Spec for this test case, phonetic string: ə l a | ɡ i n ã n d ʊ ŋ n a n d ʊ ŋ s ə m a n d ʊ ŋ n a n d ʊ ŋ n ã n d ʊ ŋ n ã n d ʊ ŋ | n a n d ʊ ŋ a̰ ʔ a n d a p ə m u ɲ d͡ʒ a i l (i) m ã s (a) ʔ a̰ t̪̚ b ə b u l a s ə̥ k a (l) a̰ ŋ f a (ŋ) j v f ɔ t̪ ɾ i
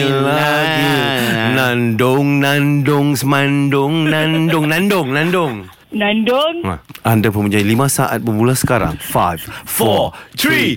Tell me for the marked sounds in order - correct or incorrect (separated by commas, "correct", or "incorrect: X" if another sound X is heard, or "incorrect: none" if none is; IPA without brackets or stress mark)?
correct, correct, incorrect: ɾ, incorrect: none